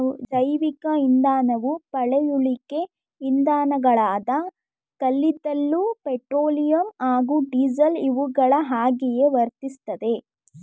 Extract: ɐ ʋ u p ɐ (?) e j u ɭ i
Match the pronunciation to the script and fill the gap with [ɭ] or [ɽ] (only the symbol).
ɭ